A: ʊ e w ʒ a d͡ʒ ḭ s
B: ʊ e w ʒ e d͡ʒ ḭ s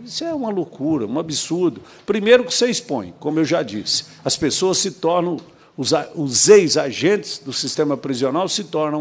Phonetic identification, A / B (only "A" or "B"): A